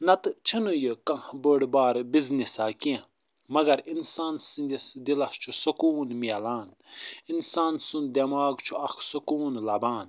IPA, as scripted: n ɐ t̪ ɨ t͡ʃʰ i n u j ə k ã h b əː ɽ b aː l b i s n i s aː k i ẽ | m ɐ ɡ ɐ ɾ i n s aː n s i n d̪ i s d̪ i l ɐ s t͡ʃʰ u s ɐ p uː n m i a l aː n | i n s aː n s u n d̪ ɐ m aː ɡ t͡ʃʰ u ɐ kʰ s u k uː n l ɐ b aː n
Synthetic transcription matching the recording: n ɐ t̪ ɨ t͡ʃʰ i n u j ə k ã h b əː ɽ b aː ɾ b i z n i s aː k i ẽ | m ɐ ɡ ɐ ɾ i n s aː n s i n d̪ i s d̪ i l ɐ s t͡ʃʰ u s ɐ k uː n m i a l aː n | i n s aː n s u n d̪ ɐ m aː ɡ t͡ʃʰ u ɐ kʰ s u k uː n l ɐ b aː n